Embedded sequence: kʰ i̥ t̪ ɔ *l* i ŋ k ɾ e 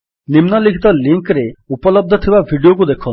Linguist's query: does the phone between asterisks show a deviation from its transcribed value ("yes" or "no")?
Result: no